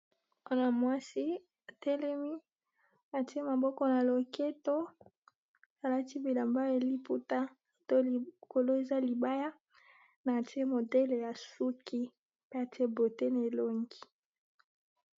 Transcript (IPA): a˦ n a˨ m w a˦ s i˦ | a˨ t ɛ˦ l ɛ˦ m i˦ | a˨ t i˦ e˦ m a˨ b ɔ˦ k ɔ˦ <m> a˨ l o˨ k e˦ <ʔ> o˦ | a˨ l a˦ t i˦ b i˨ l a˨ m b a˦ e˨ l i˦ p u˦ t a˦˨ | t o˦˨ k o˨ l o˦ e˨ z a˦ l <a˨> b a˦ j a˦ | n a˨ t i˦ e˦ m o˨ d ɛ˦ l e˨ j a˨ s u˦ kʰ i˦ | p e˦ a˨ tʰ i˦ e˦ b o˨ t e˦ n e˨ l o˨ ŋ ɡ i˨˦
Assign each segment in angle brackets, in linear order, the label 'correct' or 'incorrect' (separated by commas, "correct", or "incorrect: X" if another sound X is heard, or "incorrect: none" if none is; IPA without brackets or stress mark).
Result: incorrect: n, incorrect: t, incorrect: i˨